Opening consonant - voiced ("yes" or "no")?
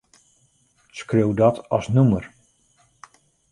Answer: no